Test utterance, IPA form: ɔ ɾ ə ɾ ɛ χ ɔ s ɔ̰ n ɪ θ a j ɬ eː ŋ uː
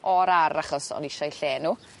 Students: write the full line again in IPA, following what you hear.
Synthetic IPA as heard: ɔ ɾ a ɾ a χ ɔ s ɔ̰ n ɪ ʃ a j ɬ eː n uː

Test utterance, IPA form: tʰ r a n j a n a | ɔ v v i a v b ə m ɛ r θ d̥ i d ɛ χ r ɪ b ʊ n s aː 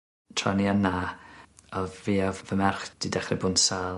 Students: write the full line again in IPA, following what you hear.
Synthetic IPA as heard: tʰ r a n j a n a | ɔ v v i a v v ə m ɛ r χ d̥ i d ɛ χ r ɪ b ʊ n s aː

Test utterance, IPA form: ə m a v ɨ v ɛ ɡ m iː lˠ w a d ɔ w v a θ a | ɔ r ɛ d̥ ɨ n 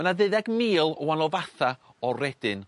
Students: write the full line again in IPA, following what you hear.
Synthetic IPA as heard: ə n a ð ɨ ð ɛ ɡ m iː lˠ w a n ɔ v a θ a | ɔ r ɛ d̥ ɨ n

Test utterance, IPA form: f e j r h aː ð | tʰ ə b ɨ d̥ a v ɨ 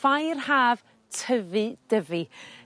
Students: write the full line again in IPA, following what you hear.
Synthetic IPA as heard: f a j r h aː v | tʰ ə v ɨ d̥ ə v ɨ

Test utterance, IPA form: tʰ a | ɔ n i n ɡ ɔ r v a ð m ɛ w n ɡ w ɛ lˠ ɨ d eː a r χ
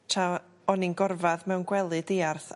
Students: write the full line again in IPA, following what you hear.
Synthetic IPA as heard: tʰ a | ɔ n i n ɡ ɔ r v a ð m ɛ w n ɡ w ɛ lˠ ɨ d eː a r θ

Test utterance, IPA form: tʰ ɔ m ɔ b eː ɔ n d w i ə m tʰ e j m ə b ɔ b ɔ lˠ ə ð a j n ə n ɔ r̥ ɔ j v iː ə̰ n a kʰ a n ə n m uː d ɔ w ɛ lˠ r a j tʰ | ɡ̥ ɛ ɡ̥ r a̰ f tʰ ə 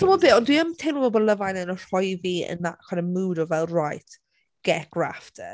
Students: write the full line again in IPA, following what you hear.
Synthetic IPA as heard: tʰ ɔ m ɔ b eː ɔ n d w i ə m tʰ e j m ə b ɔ b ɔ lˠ ə v a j n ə n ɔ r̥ ɔ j v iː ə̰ n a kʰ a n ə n m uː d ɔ v ɛ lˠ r a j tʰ | ɡ̥ ɛ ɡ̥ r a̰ f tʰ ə

